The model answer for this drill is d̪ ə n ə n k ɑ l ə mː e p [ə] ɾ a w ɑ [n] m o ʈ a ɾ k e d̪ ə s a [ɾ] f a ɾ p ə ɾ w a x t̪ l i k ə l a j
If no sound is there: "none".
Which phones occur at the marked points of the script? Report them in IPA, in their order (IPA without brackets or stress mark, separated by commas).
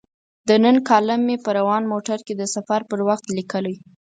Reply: ə, n, none